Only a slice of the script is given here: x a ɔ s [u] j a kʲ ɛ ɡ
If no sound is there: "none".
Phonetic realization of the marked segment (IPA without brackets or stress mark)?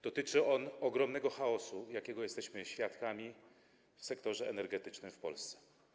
u